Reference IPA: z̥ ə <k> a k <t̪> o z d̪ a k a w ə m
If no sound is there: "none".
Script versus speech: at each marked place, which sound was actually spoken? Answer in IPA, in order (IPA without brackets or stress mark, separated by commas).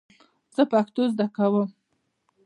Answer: p, t̪